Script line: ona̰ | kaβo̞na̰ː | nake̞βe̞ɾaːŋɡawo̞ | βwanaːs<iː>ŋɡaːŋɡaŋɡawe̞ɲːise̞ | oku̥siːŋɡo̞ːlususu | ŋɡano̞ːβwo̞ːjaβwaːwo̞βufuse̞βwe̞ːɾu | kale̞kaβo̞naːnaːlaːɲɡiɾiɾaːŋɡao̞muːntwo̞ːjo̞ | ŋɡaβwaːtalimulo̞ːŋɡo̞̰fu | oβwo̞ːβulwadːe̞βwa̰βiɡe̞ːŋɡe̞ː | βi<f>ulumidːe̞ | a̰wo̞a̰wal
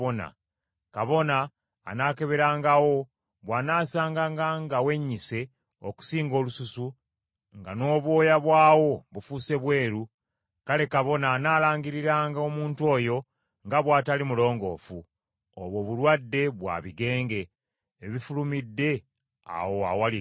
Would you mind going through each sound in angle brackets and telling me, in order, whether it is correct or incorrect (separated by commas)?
incorrect, correct